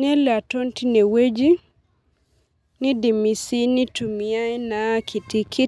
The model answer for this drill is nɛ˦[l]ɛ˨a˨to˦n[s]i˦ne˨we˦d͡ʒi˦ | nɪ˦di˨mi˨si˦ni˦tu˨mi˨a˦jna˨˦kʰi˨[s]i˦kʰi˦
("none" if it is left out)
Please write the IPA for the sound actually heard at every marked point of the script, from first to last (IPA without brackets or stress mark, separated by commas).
l, t, t